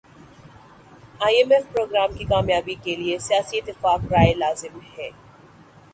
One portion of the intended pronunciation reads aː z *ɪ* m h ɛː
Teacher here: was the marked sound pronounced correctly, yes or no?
yes